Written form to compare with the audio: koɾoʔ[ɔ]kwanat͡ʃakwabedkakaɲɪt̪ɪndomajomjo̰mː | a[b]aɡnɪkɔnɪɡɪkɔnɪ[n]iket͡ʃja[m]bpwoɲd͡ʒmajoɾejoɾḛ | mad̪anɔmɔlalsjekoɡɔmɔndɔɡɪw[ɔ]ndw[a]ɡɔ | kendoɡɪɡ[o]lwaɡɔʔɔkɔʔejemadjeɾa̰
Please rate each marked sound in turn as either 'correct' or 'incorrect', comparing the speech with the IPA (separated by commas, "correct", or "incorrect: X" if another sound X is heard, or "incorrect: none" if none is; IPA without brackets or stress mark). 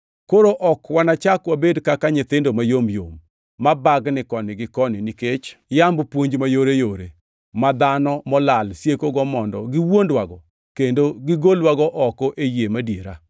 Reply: correct, correct, correct, correct, incorrect: o, correct, correct